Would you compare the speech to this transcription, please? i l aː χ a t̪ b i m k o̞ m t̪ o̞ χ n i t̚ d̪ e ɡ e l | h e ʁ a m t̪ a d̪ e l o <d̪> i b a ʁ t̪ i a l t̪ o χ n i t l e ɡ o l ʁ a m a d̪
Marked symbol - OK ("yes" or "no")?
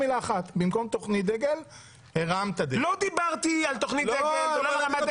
yes